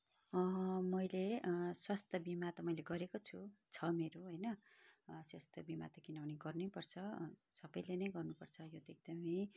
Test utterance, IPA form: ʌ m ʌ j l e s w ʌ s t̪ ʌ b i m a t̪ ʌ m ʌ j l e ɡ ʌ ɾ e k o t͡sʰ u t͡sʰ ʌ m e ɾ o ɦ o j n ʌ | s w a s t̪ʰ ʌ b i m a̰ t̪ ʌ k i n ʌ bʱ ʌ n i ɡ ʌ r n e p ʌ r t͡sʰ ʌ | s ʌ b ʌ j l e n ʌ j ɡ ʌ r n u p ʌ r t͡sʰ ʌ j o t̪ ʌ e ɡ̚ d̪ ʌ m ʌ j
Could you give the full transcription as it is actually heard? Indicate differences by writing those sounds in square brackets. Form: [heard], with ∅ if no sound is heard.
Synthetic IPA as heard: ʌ m ʌ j l e s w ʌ s t̪ ʌ b i m a t̪ ʌ m ʌ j l e ɡ ʌ ɾ e k o t͡sʰ u t͡sʰ ʌ m e ɾ o ɦ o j n ʌ | s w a s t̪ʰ ʌ b i m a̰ t̪ ʌ k i n ʌ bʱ ʌ n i ɡ ʌ r n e p ʌ r t͡sʰ ʌ | s ʌ b ʌ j l e n ʌ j ɡ ʌ r n u p ʌ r t͡sʰ ʌ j o t̪ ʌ e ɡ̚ d̪ ʌ m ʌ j